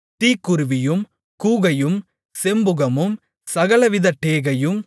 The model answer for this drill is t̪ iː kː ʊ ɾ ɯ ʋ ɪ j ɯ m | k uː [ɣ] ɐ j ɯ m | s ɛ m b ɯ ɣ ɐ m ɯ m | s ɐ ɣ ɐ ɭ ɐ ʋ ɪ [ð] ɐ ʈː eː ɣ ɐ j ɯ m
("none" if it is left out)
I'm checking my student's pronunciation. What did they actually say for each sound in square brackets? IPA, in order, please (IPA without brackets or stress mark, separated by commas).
ɣ, ð